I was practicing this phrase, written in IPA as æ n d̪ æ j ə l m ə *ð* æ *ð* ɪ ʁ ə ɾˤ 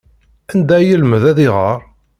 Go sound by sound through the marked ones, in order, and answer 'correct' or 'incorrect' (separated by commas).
correct, correct